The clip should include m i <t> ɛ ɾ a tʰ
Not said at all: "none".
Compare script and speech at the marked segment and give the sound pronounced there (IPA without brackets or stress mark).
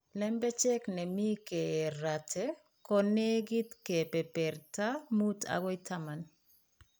k